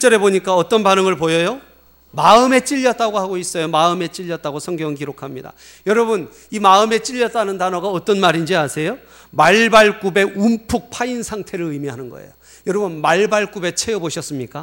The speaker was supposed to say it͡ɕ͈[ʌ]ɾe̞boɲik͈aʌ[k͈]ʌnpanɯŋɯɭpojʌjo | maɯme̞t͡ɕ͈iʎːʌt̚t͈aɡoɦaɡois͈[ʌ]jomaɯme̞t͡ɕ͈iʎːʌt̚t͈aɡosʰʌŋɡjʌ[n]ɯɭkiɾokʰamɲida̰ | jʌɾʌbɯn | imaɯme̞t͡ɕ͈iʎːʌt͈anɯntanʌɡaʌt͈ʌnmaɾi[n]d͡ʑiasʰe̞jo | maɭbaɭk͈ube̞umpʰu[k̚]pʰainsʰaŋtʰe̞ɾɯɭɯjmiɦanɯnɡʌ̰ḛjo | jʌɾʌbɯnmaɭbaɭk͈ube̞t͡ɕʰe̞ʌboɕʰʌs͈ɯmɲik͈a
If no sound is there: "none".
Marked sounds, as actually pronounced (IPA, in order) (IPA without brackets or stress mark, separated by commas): ʌ, t͈, ʌ, ŋ, n, k̚